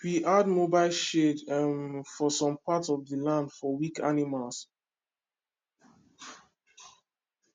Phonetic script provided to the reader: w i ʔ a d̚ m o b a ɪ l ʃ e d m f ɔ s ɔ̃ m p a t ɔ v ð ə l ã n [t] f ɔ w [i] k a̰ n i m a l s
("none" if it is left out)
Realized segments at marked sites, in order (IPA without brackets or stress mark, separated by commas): d, i